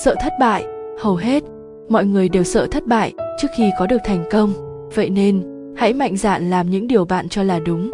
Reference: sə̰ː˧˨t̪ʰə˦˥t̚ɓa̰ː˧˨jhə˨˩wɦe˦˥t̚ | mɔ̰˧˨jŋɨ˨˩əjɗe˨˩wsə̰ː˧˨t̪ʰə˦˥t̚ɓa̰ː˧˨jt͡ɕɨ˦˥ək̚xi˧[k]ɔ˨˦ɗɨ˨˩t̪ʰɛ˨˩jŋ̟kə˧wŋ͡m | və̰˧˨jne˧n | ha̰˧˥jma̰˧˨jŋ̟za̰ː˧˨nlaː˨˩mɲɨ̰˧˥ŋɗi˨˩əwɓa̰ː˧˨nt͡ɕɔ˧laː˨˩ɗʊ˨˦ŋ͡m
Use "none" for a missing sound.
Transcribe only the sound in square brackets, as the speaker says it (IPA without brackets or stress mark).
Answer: k